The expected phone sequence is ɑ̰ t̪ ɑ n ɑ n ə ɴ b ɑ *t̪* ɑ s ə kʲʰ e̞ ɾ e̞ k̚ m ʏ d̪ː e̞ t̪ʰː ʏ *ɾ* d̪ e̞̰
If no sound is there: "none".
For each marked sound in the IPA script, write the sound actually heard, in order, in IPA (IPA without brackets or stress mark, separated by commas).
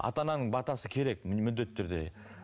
t̪, ɾ